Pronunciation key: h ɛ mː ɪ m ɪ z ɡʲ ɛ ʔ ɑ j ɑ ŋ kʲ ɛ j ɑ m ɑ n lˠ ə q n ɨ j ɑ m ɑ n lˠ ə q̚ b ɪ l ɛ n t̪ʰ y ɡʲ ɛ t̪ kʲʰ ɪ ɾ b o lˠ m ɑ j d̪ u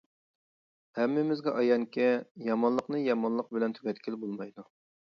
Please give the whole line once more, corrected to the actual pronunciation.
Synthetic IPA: h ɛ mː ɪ m ɪ z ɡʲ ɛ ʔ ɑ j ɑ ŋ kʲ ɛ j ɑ m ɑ n lˠ ə q n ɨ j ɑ m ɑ n lˠ ə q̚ b ɪ l ɛ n t̪ʰ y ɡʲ ɛ t̪ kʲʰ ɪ l b o lˠ m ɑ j d̪ u